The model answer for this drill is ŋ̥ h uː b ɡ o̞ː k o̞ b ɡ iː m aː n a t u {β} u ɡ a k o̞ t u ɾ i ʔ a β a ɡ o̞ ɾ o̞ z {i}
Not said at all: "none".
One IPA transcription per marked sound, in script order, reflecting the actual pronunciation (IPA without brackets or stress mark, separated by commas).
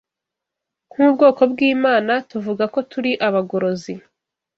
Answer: v, i